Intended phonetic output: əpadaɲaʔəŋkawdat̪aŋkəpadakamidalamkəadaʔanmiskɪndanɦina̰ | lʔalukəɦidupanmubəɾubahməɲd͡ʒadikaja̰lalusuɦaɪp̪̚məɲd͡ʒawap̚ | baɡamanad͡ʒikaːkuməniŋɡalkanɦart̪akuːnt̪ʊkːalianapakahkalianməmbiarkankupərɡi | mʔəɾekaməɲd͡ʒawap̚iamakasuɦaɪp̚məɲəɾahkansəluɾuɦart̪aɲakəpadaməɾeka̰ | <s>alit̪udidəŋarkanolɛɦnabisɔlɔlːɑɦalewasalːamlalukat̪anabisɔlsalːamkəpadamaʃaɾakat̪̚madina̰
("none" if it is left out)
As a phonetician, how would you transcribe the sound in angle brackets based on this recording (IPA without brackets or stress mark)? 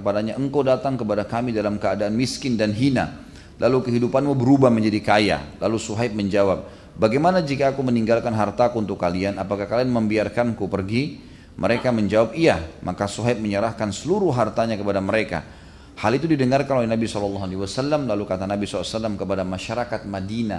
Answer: h